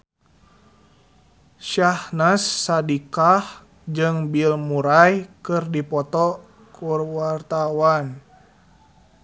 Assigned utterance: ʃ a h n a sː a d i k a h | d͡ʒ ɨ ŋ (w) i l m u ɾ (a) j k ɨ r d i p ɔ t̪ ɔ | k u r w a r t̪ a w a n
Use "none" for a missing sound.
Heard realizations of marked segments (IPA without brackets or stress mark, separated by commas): b, a